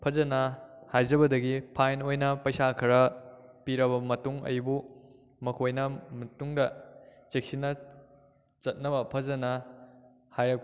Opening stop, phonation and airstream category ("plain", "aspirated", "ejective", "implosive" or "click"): aspirated